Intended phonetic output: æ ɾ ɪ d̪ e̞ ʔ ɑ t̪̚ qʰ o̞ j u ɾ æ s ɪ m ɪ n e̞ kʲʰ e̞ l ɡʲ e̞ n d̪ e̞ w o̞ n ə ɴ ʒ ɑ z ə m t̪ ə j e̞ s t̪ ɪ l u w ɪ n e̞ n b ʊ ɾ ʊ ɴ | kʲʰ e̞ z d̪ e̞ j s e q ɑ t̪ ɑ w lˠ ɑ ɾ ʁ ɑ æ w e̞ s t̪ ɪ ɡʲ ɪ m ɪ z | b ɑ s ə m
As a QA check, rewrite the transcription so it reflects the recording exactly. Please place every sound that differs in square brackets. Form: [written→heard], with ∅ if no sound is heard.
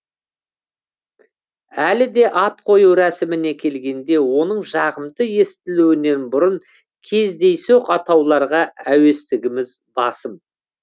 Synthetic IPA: æ [ɾ→l] ɪ d̪ e̞ ʔ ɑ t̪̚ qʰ o̞ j u ɾ æ s ɪ m ɪ n e̞ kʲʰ e̞ l ɡʲ e̞ n d̪ e̞ w o̞ n ə ɴ ʒ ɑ [z→ʁ] ə m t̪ ə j e̞ s t̪ ɪ l u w ɪ n e̞ n b ʊ ɾ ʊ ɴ | kʲʰ e̞ z d̪ e̞ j s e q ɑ t̪ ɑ w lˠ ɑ ɾ ʁ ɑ æ w e̞ s t̪ ɪ ɡʲ ɪ m ɪ z | b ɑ s ə m